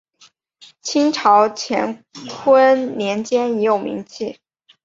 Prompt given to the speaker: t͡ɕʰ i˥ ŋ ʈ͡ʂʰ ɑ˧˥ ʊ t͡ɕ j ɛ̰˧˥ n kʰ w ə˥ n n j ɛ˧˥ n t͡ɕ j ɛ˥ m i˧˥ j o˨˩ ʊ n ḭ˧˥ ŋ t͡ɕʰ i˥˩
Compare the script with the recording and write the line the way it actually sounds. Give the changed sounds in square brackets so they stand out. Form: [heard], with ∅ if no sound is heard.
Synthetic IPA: t͡ɕʰ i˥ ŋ ʈ͡ʂʰ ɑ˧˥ ʊ [t͡ɕʰ] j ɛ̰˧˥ n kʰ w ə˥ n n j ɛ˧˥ n t͡ɕ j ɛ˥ [n] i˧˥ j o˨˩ ʊ [m] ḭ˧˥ ŋ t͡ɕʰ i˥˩

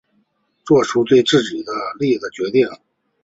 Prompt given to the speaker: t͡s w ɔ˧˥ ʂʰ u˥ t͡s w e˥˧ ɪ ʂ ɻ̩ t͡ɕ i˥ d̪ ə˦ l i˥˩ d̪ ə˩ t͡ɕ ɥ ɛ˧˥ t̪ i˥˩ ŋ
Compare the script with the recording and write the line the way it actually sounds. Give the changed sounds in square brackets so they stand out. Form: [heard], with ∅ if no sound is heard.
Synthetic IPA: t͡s w [ɔ˥˩] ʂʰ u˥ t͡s w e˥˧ ɪ [ʈ͡ʂ] ɻ̩ t͡ɕ [i˨˩] d̪ ə˦ l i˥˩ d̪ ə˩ t͡ɕ ɥ ɛ˧˥ t̪ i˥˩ ŋ

